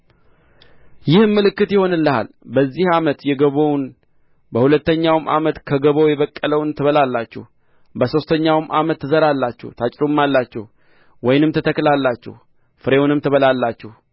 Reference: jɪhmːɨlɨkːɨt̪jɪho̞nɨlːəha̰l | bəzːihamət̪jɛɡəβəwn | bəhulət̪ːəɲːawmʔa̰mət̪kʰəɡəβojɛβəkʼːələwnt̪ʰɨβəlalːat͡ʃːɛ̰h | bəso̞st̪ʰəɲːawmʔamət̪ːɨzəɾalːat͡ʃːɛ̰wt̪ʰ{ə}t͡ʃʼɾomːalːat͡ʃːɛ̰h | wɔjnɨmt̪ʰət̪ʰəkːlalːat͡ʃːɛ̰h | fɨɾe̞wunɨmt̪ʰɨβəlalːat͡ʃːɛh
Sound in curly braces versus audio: incorrect: a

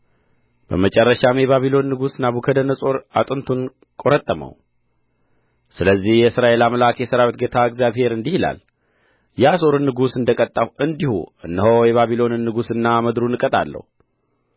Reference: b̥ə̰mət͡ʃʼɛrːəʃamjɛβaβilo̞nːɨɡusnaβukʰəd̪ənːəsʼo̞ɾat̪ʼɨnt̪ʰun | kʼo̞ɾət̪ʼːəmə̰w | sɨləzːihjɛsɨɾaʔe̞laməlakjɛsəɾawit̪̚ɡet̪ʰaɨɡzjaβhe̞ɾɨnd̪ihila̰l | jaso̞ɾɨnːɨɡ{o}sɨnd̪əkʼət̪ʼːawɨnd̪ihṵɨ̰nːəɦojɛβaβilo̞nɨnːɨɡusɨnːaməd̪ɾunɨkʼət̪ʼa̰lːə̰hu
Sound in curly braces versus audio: incorrect: u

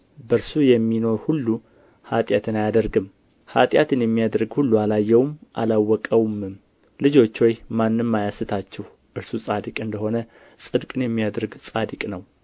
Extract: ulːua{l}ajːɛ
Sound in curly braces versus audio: correct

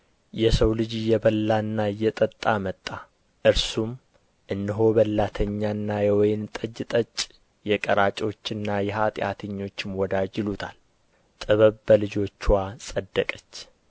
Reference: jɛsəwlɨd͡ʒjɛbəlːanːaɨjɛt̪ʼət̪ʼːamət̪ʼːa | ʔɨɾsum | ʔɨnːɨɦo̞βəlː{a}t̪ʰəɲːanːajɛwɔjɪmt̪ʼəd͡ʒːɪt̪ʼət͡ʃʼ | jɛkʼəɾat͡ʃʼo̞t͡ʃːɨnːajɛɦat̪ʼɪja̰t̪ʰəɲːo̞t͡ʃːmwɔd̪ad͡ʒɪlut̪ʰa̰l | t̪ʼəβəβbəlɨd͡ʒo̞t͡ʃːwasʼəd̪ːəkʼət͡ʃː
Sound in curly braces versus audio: correct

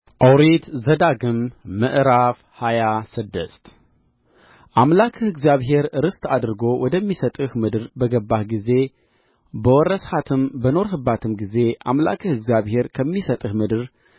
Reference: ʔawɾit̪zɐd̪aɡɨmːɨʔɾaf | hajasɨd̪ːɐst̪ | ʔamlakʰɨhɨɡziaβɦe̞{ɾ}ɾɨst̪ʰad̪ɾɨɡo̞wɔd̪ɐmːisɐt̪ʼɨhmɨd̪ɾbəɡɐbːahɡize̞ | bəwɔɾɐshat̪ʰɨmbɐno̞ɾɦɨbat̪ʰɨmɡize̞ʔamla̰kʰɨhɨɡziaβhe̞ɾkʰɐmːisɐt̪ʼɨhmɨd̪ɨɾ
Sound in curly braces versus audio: correct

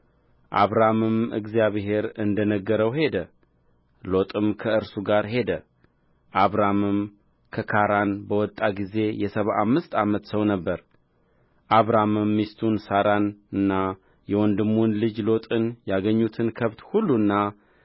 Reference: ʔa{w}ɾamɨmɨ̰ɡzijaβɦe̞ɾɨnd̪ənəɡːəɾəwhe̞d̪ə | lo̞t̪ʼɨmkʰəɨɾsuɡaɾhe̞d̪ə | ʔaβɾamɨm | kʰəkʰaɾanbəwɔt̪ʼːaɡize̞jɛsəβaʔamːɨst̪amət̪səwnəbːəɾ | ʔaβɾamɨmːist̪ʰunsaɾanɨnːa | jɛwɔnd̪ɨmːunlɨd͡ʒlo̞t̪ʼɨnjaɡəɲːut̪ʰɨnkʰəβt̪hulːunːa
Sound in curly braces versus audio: incorrect: β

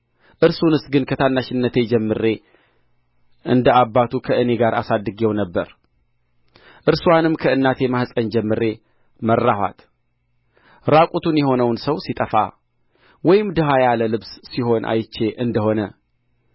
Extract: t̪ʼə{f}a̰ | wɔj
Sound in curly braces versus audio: correct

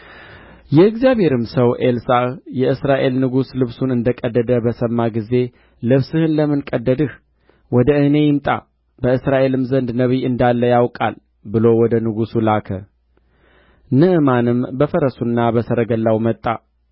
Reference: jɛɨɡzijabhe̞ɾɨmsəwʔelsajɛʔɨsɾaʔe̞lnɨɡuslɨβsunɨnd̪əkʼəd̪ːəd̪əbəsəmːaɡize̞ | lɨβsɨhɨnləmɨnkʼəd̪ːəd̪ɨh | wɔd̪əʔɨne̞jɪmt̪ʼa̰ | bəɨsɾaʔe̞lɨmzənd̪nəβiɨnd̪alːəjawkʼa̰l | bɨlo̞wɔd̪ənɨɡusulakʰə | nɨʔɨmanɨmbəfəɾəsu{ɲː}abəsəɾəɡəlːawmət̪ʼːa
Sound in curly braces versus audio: incorrect: nː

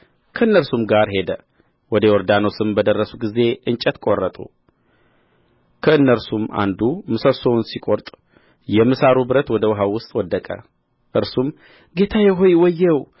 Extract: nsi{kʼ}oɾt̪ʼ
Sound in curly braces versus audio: correct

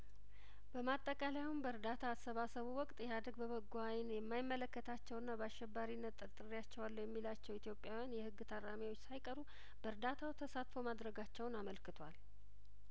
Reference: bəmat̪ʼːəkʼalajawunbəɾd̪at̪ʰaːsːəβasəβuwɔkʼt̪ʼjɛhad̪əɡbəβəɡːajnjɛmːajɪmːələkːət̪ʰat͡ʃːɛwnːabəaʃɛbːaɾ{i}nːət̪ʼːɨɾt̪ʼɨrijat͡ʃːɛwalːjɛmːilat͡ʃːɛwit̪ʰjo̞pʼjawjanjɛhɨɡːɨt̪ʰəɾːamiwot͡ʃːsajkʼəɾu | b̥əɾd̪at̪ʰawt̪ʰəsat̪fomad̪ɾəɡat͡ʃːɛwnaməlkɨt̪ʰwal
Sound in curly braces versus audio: correct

